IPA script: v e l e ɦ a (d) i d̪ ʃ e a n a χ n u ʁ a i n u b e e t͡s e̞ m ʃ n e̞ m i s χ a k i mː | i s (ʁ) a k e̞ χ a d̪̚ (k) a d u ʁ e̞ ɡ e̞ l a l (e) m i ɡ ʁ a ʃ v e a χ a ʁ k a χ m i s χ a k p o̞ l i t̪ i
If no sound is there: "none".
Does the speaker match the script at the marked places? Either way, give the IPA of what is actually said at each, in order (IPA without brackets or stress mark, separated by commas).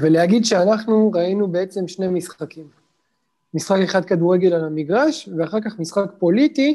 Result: ɡ, χ, k, a